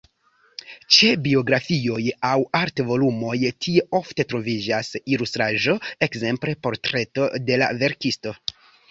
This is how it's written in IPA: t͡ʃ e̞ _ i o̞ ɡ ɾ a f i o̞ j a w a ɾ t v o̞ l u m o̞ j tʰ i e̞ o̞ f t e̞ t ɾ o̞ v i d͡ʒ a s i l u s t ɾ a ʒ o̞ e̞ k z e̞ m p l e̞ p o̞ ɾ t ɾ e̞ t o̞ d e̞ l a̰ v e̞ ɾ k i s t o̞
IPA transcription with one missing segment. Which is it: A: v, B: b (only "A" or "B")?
B